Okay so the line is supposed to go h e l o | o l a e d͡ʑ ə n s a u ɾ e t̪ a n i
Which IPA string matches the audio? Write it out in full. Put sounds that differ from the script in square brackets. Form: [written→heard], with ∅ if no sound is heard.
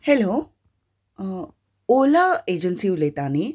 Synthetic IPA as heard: h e l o | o l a e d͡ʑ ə n s [a→i] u [ɾ→l] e t̪ a n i